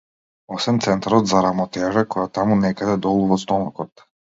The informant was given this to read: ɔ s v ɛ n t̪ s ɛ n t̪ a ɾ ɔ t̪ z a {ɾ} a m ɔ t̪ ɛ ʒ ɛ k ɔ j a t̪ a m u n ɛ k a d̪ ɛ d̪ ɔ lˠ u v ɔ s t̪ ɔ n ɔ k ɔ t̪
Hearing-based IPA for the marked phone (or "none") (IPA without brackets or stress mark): ɾ